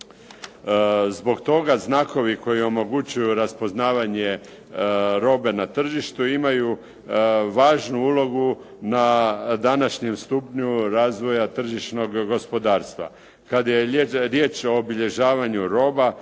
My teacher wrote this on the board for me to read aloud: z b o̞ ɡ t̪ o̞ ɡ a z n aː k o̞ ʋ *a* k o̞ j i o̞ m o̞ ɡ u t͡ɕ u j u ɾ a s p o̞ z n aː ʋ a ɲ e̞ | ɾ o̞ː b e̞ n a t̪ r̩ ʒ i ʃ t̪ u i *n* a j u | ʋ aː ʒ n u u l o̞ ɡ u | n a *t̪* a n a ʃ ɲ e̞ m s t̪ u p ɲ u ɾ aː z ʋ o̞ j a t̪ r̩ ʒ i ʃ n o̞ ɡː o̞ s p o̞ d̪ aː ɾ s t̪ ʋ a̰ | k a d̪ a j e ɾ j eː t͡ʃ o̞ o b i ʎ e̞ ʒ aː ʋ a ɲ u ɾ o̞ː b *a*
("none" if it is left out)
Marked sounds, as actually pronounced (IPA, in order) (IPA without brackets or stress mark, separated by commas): i, m, d̪, a